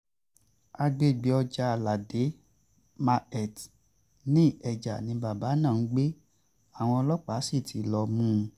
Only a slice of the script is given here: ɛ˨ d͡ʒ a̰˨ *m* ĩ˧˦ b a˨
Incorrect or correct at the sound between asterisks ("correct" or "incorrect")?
incorrect